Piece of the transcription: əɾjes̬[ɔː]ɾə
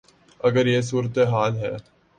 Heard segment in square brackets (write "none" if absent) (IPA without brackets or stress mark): uː